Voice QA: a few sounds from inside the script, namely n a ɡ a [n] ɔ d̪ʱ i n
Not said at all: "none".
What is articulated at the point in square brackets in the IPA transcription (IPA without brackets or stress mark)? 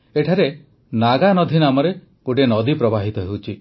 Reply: n